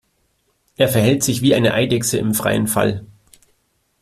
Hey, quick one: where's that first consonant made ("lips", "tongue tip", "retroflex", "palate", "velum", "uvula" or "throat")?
throat